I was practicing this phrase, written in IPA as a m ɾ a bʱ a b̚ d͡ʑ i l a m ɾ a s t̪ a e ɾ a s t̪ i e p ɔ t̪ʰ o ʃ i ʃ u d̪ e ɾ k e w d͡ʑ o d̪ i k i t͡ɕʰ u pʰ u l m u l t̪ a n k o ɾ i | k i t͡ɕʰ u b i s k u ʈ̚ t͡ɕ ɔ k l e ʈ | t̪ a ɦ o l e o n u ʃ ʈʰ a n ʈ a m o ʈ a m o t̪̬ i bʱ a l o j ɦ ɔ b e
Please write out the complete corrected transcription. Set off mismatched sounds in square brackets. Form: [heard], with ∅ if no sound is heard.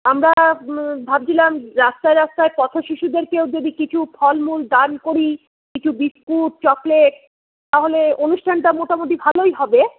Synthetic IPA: a m ɾ a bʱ a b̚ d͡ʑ i l a m ɾ a s t̪ a e ɾ a s t̪ [a] e p ɔ t̪ʰ o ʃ i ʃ u d̪ e ɾ k e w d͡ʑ o d̪ i k i t͡ɕʰ u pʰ [ɔ] l m u l [d̪] a n k o ɾ i | k i t͡ɕʰ u b i s k u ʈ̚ t͡ɕ ɔ k l e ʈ | t̪ a ɦ o l e o n u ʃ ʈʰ a n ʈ a m o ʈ a m o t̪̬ i bʱ a l o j ɦ ɔ b e